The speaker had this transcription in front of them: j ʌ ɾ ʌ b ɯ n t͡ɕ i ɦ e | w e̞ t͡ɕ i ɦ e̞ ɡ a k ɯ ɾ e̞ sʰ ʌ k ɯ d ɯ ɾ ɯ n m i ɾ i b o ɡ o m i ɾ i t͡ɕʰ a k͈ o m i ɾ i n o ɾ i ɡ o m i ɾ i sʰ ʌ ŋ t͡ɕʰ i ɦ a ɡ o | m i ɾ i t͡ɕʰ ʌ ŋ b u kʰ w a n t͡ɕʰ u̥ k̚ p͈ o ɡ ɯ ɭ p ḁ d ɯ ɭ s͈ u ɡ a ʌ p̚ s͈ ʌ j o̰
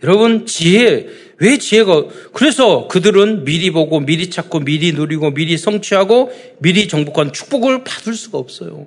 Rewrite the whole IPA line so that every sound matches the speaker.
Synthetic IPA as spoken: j ʌ ɾ ʌ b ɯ n t͡ɕ i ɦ e | w e̞ t͡ɕ i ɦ e̞ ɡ a k ɯ ɾ e̞ sʰ ʌ k ɯ d ɯ ɾ ɯ n m i ɾ i b o ɡ o m i ɾ i t͡ɕʰ a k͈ o m i ɾ i n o ɾ i ɡ o m i ɾ i sʰ ʌ ŋ t͡ɕʰ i ɦ a ɡ o | m i ɾ i t͡ɕ ʌ ŋ b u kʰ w a n t͡ɕʰ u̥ k̚ p͈ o ɡ ɯ ɭ p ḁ d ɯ ɭ s͈ u ɡ a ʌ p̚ s͈ ʌ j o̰